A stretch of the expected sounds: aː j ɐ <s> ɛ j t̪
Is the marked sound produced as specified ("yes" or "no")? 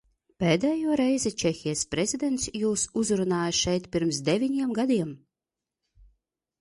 no